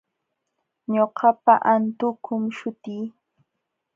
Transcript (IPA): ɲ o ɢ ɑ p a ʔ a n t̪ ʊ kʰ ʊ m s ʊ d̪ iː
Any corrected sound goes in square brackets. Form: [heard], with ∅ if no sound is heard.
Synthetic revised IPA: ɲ o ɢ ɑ p a ʔ a n t̪ ʊ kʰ ʊ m [ʃ] ʊ [t̪] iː

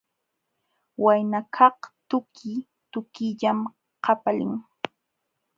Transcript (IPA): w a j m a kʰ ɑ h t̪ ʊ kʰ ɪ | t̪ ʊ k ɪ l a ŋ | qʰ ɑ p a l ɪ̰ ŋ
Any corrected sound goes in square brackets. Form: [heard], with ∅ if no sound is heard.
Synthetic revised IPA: w a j [n] a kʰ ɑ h t̪ ʊ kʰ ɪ | t̪ ʊ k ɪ [ʎ] a [m] | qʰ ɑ p a l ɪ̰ ŋ

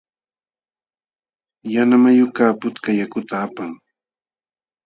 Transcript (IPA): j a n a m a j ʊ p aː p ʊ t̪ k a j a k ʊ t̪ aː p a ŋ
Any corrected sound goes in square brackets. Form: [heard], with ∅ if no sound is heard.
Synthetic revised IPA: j a n a m a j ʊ [k] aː p ʊ t̪ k a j a k ʊ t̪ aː p a ŋ

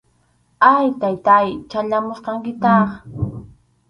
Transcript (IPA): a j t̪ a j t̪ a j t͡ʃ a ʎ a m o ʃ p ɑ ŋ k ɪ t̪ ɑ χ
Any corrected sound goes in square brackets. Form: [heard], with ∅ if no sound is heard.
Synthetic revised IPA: a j t̪ a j t̪ a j t͡ʃ a ʎ a m o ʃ [q] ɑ ŋ k ɪ t̪ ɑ χ

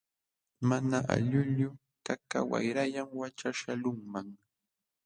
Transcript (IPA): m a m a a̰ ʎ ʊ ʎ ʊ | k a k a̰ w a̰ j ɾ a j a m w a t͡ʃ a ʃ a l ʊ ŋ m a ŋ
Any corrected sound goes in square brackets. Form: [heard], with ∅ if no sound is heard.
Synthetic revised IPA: m a [n] a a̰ ʎ ʊ ʎ ʊ | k a k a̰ w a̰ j ɾ a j a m w a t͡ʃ a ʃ a l ʊ ŋ m a ŋ

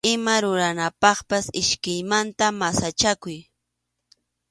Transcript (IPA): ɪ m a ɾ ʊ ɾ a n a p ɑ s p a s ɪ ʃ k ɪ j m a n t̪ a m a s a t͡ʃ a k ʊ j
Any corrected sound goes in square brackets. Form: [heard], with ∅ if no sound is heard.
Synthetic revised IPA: ɪ m a ɾ ʊ ɾ a n a p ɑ [χ] p a s ɪ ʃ k ɪ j m a n t̪ a m a s a t͡ʃ a k ʊ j

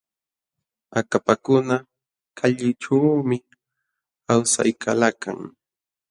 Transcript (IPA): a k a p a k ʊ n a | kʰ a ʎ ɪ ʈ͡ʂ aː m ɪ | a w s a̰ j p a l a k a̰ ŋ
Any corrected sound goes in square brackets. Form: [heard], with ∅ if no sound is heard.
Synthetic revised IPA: a k a p a k ʊ n a | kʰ a ʎ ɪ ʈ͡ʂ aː m ɪ | a w s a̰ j [k] a l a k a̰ ŋ

